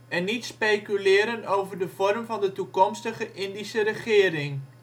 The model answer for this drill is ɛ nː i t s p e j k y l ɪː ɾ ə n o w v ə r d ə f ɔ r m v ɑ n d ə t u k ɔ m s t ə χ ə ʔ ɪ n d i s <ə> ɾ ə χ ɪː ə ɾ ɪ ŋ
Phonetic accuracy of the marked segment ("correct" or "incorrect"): correct